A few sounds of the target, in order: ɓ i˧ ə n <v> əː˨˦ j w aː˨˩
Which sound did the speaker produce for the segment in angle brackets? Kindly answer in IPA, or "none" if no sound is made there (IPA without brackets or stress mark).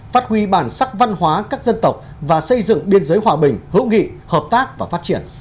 z